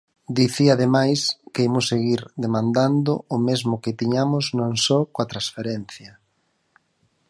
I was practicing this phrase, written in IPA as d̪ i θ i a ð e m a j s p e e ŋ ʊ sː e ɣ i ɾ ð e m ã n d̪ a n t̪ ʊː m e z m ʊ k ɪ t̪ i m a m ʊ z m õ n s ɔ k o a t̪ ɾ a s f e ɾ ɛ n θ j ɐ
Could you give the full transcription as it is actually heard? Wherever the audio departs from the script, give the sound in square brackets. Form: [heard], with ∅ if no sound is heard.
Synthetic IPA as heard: d̪ i θ i a ð e m a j s [k] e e [m] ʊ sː e ɣ i ɾ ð e m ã n d̪ a n [d̪] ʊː m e z m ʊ k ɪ t̪ i [ɲ] a m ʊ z [n] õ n s ɔ k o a t̪ ɾ a s f e ɾ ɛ n θ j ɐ